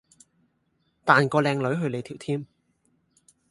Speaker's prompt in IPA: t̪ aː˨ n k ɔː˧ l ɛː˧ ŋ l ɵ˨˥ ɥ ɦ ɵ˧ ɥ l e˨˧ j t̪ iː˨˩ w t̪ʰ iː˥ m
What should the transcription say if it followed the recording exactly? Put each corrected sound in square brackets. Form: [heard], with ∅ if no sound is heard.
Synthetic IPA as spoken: t̪ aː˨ n k ɔː˧ l ɛː˧ ŋ l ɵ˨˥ ɥ ɦ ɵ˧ ɥ l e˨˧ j [t̪ʰ] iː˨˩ w t̪ʰ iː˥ m